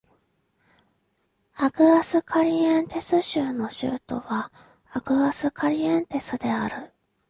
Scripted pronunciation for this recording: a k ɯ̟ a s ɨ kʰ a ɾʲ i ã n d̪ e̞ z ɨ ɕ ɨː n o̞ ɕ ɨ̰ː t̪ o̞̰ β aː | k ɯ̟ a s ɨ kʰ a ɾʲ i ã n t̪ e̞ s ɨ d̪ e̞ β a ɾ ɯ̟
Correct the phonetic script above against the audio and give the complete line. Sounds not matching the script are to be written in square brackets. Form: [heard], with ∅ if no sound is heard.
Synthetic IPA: a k ɯ̟ a s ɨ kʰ a ɾʲ i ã n [t̪] e̞ [s] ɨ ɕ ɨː n o̞ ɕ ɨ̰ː t̪ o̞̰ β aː | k ɯ̟ a s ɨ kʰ a ɾʲ i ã n t̪ e̞ s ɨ d̪ e̞ [∅] a ɾ ɯ̟